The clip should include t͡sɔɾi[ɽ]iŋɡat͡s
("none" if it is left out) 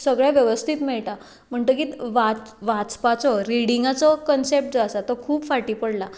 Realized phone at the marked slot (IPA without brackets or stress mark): ɽ